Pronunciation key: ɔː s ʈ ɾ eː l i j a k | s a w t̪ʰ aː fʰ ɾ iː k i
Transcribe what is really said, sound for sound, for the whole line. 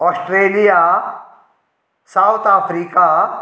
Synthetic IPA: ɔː s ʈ ɾ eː l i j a | s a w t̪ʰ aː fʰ ɾ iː k a